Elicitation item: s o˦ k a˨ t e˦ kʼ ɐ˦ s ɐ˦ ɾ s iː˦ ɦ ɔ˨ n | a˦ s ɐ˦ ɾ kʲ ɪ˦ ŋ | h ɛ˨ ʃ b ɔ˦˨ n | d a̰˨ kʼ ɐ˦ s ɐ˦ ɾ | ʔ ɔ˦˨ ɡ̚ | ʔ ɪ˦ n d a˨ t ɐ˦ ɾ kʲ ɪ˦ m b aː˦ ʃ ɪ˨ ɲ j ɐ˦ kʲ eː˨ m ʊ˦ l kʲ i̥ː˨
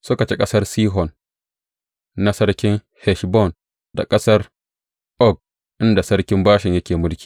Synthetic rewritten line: s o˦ k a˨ t͡ʃ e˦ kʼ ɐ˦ s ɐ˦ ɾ s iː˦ ɦ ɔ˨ n | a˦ s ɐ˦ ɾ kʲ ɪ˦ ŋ | h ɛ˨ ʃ b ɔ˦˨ n | d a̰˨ kʼ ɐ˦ s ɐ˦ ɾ | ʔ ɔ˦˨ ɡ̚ | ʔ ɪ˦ n d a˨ s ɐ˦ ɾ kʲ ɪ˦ m b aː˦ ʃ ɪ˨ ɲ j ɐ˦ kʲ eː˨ m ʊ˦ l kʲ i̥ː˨